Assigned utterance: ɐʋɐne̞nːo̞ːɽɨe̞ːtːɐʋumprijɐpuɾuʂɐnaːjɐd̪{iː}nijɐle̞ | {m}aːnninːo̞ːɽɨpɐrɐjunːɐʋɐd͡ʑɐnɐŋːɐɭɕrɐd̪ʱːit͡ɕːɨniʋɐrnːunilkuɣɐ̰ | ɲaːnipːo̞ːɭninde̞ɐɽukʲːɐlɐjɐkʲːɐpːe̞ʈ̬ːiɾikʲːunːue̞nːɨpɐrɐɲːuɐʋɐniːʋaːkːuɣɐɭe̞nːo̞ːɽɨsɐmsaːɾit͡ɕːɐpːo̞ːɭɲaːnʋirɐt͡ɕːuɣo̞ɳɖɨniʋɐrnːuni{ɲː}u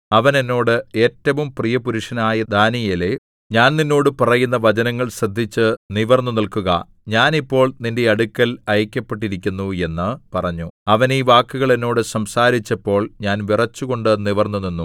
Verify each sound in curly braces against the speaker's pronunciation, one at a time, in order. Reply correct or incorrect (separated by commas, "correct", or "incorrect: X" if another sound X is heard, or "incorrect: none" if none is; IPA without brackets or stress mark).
incorrect: aː, incorrect: ɲ, incorrect: nː